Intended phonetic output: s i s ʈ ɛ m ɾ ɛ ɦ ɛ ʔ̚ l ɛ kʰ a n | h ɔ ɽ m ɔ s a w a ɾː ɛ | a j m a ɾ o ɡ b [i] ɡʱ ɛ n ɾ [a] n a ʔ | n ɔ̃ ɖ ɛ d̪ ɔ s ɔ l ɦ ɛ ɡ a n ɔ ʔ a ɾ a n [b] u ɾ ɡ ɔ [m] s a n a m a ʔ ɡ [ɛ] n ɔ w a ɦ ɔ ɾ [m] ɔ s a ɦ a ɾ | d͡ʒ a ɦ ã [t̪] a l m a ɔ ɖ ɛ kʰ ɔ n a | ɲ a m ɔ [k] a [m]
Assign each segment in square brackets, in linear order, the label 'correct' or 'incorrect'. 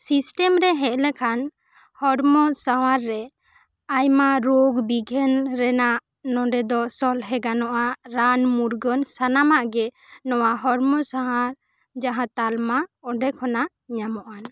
correct, incorrect: ɛ, incorrect: m, incorrect: n, correct, correct, correct, incorrect: ʔ, incorrect: n

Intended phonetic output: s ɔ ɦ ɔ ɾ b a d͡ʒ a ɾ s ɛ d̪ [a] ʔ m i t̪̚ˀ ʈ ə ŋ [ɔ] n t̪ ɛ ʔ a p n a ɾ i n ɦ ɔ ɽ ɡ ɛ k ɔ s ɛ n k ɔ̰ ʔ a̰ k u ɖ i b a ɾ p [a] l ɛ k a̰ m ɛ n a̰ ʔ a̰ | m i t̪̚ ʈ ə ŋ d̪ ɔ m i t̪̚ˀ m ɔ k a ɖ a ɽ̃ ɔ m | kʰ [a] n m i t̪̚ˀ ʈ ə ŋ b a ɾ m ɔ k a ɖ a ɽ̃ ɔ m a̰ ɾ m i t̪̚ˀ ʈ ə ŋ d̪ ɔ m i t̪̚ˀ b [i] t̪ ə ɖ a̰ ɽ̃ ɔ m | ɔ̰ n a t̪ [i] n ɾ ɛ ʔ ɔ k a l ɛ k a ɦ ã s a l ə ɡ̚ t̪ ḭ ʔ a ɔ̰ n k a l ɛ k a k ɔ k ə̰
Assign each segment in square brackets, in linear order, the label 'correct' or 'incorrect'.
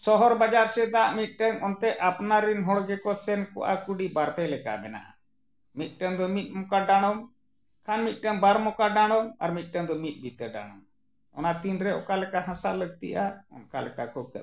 correct, correct, incorrect: ɛ, correct, correct, correct

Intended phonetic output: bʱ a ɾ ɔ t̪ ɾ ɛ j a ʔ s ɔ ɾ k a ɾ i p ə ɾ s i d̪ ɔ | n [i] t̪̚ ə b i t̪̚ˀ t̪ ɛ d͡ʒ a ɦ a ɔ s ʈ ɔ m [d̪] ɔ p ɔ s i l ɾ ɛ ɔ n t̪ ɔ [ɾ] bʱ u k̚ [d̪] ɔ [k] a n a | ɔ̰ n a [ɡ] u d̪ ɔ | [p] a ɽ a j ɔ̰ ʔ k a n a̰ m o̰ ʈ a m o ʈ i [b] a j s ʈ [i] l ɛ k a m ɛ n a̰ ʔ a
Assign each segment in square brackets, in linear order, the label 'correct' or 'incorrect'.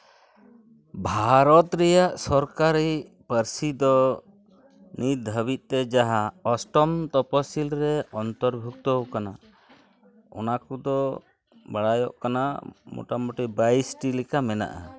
correct, incorrect: t̪, correct, incorrect: t̪, correct, incorrect: k, incorrect: b, correct, correct

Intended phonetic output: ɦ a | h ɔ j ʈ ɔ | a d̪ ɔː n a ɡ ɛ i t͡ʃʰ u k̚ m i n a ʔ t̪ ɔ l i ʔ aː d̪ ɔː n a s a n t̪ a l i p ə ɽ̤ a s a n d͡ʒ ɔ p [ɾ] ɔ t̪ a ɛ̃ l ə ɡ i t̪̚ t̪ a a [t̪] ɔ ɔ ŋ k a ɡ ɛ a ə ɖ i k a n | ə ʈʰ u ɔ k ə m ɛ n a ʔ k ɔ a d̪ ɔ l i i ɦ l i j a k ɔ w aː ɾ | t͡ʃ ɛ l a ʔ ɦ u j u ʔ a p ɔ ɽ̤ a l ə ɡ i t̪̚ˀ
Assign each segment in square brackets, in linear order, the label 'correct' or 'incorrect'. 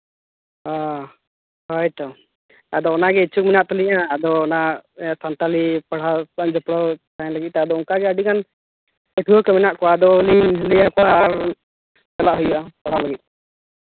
incorrect: ɽ, incorrect: d̪

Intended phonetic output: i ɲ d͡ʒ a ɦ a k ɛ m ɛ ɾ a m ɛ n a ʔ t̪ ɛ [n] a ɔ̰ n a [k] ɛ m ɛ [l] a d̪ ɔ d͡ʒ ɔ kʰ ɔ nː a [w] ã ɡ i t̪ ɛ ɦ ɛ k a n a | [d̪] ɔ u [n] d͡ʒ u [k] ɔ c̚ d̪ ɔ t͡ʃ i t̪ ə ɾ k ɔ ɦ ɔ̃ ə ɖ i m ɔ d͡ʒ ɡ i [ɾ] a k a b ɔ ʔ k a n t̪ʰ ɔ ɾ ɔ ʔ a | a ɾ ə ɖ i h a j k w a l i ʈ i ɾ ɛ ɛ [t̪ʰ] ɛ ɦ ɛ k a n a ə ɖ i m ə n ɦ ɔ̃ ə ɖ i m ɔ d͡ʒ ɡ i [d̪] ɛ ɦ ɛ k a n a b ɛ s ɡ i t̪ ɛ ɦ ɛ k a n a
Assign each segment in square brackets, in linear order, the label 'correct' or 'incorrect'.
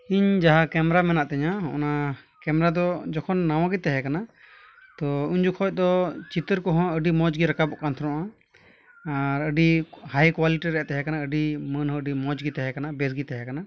incorrect: ɲ, correct, incorrect: ɾ, correct, incorrect: t̪, incorrect: ɲ, incorrect: kʰ, correct, incorrect: t̪, incorrect: t̪

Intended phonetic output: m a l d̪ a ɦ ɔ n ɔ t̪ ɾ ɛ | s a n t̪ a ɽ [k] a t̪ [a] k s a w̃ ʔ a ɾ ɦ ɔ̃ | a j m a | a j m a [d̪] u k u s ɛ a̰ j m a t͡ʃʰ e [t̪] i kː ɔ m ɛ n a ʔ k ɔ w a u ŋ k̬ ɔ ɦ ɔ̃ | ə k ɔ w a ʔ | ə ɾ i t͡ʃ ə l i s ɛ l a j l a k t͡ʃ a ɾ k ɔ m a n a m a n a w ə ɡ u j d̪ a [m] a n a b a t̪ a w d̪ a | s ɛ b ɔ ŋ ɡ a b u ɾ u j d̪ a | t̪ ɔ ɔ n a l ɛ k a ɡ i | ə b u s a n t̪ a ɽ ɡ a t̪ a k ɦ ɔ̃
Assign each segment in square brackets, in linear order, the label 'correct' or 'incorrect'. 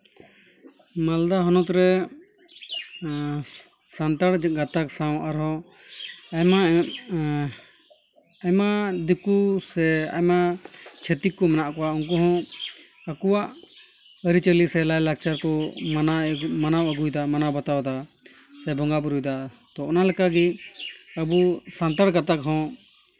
incorrect: ɡ, correct, correct, correct, correct

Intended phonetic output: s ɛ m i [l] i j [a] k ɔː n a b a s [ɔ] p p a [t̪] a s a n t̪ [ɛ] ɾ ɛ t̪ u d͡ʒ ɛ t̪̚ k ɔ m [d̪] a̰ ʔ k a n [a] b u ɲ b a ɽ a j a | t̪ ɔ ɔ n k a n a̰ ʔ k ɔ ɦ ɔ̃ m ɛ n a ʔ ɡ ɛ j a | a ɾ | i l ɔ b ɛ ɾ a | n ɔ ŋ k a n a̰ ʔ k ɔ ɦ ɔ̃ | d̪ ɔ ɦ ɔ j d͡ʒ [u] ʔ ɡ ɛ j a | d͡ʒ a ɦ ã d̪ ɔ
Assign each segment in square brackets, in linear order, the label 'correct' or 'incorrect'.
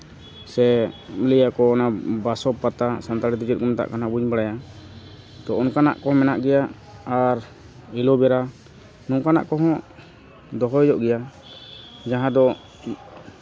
correct, correct, correct, correct, incorrect: a, incorrect: t̪, correct, incorrect: ɔ

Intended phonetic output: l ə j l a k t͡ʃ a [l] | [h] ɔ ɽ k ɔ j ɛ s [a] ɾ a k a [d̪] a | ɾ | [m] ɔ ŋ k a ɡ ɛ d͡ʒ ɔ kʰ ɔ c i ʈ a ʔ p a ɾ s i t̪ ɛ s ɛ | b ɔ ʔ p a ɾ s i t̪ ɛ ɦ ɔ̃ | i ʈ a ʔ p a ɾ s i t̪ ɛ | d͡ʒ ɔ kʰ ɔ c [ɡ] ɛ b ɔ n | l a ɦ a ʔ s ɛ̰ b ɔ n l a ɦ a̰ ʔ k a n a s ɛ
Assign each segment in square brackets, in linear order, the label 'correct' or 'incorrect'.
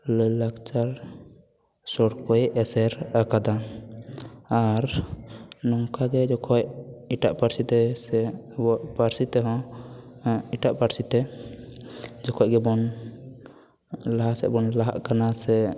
incorrect: ɾ, incorrect: s, incorrect: ɛ, correct, incorrect: n, correct

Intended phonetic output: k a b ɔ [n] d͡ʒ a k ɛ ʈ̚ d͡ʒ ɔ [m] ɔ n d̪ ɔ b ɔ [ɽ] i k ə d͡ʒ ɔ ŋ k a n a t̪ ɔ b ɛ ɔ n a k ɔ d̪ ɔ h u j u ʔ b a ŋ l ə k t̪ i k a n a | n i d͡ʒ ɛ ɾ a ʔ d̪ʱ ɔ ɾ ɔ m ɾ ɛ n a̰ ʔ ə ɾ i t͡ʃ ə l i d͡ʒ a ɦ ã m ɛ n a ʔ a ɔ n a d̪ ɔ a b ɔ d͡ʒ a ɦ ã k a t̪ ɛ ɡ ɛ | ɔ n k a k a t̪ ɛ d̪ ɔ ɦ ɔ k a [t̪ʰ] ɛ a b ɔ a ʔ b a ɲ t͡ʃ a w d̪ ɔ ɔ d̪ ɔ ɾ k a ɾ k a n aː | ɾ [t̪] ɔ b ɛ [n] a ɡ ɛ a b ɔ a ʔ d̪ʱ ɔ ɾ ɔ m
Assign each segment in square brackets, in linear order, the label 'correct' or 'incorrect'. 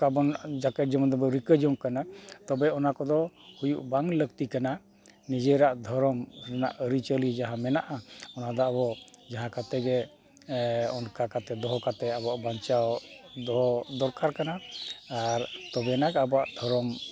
correct, correct, incorrect: ɾ, incorrect: t̪, correct, correct

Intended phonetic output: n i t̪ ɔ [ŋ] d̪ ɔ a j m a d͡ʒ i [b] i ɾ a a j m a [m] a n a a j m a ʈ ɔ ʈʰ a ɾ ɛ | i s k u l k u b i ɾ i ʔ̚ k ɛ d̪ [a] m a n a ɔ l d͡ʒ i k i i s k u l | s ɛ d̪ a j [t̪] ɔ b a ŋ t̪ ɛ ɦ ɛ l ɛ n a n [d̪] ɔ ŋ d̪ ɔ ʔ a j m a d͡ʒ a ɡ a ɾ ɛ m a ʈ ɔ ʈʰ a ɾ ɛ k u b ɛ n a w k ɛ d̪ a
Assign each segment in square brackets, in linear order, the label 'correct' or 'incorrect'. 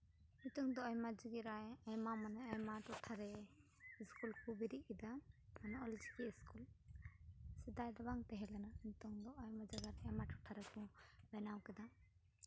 correct, incorrect: ɡ, correct, correct, incorrect: d̪, incorrect: t̪

